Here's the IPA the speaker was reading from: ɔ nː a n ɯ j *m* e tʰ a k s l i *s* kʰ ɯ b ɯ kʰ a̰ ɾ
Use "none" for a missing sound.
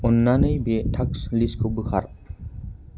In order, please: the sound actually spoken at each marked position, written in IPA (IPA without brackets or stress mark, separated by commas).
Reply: b, s